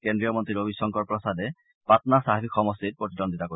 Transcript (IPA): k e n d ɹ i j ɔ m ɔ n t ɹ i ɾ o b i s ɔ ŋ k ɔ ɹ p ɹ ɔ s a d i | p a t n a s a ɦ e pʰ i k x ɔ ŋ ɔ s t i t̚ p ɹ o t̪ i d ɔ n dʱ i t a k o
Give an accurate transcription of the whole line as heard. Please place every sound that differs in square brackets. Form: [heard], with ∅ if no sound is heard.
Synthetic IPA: k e n d ɹ i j ɔ m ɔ n t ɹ i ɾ o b i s ɔ ŋ k ɔ ɹ p ɹ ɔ s a d [ɛ] | p a t n a s a ɦ [i] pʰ i k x ɔ [m] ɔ s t i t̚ p ɹ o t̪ i d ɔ n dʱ i t a k o